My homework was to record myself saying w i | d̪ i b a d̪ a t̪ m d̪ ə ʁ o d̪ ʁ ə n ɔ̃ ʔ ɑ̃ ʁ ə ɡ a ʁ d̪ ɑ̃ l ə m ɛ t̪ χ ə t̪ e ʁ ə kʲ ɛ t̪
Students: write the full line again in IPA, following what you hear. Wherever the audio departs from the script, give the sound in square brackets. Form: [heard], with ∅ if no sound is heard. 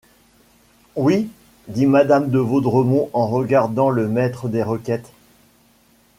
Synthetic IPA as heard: w i | d̪ i [m] a d̪ a [∅] m d̪ ə [v] o d̪ ʁ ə [m] ɔ̃ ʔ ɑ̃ ʁ ə ɡ a ʁ d̪ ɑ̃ l ə m ɛ t̪ χ ə [d̪] e ʁ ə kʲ ɛ t̪